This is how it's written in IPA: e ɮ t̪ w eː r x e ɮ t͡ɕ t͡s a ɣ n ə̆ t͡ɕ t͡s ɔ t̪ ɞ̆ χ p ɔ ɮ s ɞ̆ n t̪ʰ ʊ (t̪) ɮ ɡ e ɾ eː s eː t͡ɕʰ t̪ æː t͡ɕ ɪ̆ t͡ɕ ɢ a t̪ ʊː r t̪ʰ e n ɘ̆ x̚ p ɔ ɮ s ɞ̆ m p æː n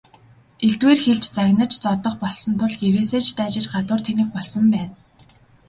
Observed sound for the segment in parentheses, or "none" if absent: none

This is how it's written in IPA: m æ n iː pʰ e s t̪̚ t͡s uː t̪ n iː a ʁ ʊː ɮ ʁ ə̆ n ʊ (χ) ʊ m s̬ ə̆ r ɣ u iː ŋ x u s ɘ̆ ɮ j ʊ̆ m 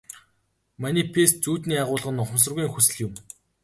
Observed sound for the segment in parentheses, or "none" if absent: χ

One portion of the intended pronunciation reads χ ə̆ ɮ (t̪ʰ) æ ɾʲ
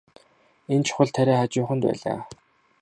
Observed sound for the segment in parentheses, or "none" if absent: t̪ʰ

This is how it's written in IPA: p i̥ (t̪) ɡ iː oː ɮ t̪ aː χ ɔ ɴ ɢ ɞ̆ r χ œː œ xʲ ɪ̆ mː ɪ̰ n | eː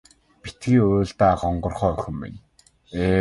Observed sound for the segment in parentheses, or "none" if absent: t̪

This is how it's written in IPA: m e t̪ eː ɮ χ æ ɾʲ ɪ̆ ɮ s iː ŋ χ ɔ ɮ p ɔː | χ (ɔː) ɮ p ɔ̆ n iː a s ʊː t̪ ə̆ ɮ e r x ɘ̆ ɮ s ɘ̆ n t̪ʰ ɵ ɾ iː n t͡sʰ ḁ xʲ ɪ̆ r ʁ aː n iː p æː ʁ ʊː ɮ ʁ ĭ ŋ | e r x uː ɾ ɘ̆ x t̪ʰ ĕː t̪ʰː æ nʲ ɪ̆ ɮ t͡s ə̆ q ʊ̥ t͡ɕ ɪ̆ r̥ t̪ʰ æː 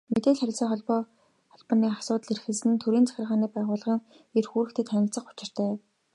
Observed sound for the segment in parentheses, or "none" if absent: ɔ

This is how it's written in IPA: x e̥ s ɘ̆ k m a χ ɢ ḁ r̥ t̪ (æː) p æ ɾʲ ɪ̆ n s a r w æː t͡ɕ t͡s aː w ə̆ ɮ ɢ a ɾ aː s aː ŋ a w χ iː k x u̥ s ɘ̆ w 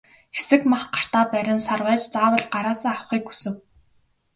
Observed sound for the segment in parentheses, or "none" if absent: aː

